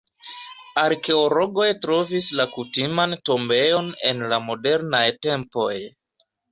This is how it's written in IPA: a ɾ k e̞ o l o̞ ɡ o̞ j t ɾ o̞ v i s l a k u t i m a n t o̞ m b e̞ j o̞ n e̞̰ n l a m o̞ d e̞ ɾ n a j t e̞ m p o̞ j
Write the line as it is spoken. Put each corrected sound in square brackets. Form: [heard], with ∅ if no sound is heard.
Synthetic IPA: a ɾ k e̞ o l o̞ ɡ o̞ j t ɾ o̞ v i s l a k u t i m a n t o̞ m b e̞ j o̞ n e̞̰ n l a m o̞ d e̞ ɾ n a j t e̞ m p o̞ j